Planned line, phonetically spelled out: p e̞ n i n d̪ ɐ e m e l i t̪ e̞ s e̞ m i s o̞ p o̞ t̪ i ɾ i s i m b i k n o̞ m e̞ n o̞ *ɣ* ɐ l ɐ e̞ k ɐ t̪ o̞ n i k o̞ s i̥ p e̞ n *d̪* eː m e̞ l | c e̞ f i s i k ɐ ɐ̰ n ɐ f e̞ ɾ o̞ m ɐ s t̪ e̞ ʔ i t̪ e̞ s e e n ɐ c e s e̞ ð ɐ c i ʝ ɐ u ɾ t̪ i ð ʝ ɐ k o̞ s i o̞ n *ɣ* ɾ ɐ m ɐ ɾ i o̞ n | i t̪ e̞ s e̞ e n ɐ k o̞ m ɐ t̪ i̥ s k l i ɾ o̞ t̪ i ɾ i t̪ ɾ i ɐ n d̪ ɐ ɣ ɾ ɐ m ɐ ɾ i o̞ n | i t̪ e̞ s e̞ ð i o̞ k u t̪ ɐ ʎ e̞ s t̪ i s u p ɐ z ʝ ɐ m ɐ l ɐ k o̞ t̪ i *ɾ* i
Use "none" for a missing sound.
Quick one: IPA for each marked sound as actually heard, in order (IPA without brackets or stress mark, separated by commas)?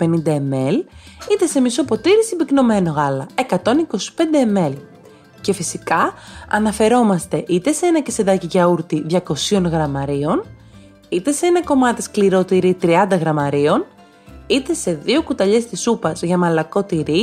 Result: ɣ, d̪, ɣ, ɾ